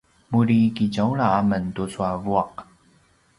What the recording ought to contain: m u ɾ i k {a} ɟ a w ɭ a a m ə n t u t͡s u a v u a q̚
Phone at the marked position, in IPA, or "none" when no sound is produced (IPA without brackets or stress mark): i